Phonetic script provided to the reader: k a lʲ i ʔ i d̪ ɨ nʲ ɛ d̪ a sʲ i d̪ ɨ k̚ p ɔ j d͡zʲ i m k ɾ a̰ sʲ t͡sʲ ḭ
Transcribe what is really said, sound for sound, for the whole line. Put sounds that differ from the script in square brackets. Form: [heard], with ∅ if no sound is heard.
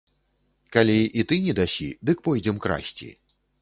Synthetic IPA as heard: k a lʲ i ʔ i [t̪] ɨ nʲ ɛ d̪ a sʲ i d̪ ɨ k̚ p ɔ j d͡zʲ [ɛ] m k ɾ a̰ sʲ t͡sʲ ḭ